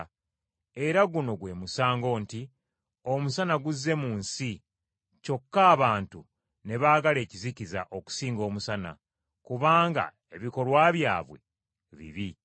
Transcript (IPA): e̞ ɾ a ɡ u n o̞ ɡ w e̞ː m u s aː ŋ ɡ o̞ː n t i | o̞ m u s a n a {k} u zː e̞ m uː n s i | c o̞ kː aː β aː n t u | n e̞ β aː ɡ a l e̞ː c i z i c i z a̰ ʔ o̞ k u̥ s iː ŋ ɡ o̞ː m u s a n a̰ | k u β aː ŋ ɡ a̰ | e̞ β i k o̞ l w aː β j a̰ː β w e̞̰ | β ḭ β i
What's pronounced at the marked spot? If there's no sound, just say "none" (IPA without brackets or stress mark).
ɡ